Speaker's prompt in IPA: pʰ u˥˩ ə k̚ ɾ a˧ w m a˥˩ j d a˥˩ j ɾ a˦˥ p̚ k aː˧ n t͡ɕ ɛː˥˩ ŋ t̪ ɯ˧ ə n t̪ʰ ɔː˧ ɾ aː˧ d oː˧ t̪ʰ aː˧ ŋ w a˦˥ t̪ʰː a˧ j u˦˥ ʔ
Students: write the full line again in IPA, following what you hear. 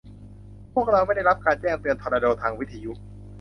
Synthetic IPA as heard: pʰ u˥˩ ə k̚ ɾ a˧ w m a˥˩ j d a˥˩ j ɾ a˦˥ p̚ k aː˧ n t͡ɕ ɛː˥˩ ŋ t̪ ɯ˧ ə n t̪ʰ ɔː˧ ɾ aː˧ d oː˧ t̪ʰ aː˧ ŋ w i˦˥ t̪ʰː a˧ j u˦˥ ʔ